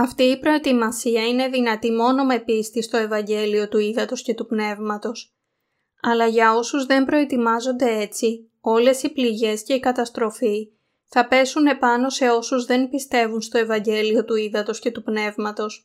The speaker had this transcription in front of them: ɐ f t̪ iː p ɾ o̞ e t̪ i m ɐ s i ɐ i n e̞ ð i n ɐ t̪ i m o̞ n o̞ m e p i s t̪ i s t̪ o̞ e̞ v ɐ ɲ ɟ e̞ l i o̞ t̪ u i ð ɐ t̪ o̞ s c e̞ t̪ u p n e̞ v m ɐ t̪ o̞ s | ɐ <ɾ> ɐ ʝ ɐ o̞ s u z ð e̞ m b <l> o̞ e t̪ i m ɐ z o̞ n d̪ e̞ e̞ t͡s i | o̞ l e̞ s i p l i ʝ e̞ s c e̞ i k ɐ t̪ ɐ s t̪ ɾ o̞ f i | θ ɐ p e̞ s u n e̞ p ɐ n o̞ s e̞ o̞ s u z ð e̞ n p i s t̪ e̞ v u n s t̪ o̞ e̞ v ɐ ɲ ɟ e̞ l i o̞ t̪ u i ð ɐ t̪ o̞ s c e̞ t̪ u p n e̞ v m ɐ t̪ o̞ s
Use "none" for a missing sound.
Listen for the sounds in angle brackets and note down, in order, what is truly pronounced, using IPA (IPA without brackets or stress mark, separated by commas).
l, ɾ